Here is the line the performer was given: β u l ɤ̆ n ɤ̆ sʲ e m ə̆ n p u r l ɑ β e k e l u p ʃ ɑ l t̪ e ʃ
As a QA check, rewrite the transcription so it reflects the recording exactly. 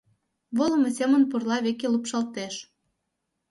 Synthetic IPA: β o l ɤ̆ m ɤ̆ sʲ e m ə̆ n p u r l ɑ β e k e l u p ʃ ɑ l t̪ e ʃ